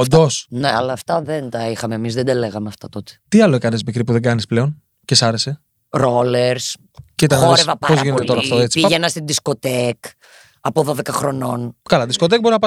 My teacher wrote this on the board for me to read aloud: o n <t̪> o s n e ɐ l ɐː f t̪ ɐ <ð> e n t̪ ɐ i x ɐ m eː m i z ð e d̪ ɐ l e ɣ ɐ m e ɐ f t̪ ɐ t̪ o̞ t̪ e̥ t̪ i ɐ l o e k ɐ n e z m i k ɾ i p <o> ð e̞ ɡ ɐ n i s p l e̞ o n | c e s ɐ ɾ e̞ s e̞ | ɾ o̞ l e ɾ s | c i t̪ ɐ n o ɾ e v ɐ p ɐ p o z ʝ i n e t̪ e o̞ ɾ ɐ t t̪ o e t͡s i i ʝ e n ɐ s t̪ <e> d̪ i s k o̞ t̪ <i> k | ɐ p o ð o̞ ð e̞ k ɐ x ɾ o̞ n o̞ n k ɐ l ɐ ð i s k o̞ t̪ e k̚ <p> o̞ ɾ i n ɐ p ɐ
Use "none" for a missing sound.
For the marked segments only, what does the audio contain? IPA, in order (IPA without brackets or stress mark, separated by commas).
d̪, ð, u, i, e, b